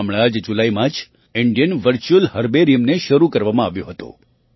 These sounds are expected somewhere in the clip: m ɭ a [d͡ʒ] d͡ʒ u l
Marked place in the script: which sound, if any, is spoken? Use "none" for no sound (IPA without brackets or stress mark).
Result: d͡ʒ